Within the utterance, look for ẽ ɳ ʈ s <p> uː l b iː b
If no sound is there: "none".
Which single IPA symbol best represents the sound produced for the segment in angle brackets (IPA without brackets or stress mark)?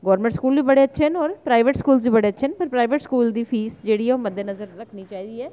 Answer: k